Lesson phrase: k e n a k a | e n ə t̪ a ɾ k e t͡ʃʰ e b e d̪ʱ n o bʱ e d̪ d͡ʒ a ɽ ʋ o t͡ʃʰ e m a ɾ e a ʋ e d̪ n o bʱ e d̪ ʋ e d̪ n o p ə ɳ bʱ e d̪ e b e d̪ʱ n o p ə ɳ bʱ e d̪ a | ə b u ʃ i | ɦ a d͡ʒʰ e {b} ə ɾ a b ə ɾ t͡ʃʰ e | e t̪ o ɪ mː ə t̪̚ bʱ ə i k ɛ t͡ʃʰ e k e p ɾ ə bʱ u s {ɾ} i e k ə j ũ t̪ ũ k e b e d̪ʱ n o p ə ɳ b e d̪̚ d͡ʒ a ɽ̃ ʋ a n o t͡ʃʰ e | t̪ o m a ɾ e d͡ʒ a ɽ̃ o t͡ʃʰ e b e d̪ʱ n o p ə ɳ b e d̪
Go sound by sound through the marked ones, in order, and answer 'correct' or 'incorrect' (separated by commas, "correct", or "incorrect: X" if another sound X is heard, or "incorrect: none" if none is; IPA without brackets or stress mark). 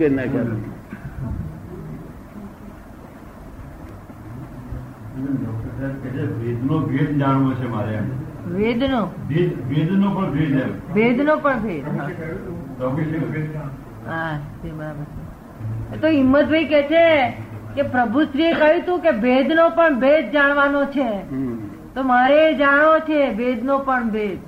correct, correct